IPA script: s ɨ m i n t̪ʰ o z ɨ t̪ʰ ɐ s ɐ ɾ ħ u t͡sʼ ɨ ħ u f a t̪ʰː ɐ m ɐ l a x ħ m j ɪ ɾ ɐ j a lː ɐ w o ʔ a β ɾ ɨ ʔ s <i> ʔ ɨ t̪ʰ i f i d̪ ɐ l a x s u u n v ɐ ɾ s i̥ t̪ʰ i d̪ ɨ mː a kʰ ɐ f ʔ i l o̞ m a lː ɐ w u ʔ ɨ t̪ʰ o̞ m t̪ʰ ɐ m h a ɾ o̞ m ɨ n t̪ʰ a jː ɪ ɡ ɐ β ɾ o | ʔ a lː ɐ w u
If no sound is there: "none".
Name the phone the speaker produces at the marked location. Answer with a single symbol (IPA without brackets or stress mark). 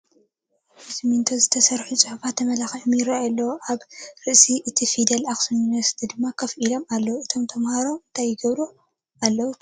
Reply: i